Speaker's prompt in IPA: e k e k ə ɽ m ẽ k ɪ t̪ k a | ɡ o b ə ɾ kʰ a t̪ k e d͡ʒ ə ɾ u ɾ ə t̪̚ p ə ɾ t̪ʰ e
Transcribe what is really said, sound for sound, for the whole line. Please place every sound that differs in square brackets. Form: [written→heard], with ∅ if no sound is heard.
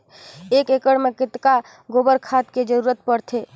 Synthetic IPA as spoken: e k e k ə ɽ m [ẽ→e] k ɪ t̪ k a | ɡ o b ə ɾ kʰ a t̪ k e d͡ʒ ə ɾ u ɾ ə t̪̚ p ə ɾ t̪ʰ e